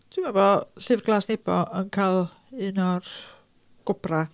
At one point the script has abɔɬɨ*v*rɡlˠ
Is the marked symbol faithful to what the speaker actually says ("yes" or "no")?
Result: yes